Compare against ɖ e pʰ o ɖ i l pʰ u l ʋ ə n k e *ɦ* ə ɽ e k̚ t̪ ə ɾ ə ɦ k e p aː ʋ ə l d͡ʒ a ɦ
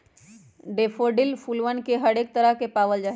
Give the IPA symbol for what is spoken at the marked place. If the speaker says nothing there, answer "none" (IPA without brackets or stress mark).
ɦ